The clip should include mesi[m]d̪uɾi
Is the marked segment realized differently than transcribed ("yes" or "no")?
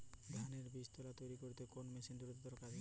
yes